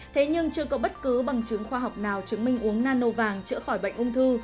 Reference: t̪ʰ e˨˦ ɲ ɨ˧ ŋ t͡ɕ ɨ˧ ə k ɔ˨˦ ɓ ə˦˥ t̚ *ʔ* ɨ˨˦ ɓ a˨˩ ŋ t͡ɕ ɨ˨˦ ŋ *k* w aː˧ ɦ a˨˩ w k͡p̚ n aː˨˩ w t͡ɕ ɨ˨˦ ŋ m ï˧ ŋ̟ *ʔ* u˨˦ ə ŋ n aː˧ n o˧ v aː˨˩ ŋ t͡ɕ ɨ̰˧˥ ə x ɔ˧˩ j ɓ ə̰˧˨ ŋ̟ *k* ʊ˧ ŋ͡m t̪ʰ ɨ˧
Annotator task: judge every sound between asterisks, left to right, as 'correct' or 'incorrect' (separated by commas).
incorrect, incorrect, correct, incorrect